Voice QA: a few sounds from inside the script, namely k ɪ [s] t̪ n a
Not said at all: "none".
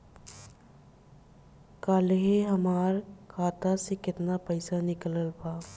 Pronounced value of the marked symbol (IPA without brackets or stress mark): none